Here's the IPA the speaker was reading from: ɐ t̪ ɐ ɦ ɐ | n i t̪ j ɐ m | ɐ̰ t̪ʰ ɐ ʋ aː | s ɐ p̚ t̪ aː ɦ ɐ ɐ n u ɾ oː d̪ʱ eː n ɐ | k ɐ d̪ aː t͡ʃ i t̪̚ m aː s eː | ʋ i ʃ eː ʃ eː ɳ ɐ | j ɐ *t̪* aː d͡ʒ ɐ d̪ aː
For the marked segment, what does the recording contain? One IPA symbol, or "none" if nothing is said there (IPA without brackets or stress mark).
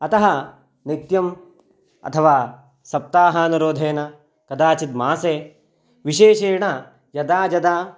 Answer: d̪